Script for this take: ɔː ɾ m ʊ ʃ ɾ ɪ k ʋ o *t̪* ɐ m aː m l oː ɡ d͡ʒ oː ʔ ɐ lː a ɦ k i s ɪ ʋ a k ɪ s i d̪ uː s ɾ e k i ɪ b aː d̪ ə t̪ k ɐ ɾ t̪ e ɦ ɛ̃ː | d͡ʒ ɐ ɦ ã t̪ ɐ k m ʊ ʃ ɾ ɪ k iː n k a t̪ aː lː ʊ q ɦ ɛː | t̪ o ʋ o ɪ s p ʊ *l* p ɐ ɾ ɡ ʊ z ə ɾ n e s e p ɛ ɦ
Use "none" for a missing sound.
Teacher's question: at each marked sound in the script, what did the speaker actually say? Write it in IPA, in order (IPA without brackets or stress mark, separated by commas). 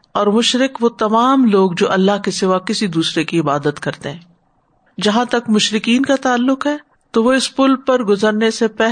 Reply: t̪, l